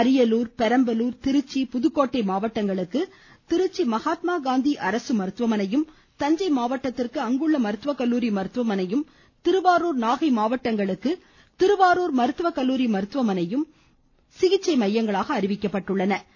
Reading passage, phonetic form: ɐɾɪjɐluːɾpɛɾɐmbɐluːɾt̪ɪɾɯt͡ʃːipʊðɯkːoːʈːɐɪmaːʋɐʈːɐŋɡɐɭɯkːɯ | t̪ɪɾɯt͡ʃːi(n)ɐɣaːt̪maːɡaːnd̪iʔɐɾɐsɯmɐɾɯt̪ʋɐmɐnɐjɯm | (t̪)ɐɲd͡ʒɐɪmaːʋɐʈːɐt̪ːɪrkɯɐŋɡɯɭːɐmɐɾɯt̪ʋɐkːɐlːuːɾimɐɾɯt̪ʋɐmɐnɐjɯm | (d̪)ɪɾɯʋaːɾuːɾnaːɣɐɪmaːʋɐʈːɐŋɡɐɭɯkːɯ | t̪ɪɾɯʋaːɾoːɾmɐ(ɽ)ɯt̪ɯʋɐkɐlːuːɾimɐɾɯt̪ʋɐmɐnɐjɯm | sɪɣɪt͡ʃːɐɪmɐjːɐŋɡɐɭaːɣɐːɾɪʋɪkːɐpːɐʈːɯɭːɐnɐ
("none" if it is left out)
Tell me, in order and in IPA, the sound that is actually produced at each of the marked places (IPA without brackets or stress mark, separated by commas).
m, t̪, t̪, ɾ